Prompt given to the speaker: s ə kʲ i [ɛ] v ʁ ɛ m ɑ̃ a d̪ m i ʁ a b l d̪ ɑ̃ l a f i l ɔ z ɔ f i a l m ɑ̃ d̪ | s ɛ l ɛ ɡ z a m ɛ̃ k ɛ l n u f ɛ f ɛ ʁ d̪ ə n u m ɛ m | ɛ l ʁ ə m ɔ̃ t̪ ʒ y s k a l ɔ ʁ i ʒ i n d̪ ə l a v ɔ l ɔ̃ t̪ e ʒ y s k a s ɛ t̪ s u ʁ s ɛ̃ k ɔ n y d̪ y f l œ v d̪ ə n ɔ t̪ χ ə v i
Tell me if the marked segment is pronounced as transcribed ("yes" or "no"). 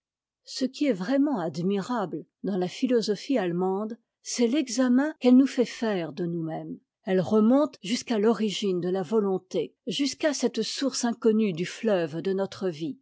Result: yes